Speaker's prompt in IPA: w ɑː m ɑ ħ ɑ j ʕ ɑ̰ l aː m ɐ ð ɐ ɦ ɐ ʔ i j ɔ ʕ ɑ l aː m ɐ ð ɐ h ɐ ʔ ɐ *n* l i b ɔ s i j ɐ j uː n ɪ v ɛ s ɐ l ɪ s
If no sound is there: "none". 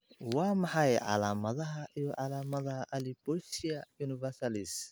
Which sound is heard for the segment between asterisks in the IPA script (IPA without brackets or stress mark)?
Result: none